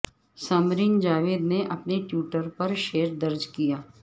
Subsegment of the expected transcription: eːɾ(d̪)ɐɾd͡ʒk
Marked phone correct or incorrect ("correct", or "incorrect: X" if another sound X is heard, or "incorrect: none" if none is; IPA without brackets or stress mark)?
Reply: correct